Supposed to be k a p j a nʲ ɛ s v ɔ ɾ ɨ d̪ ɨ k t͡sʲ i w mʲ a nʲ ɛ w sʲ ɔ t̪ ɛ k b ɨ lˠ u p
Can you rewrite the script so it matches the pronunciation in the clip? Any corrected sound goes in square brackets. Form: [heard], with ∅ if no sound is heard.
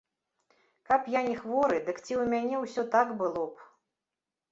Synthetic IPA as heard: k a p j a nʲ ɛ [x] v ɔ ɾ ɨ d̪ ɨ k t͡sʲ i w mʲ a nʲ ɛ w sʲ ɔ t̪ [a] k b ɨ lˠ [ɔ] p